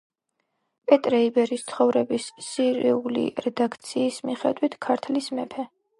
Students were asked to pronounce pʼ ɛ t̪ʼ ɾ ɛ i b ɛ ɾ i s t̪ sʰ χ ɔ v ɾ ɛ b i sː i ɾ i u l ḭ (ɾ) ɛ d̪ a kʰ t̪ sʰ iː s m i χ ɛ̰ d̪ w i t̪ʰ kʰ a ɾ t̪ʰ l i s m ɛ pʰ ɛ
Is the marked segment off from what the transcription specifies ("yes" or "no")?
no